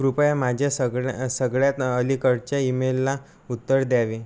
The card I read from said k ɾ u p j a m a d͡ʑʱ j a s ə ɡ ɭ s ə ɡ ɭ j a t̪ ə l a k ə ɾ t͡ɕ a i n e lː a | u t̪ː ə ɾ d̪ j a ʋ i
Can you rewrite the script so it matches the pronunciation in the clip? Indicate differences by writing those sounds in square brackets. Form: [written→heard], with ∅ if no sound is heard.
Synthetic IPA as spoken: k ɾ u p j a m a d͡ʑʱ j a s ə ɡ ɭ s ə ɡ ɭ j a t̪ ə l [a→i] k ə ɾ t͡ɕ a i [n→m] e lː a | u t̪ː ə ɾ d̪ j a ʋ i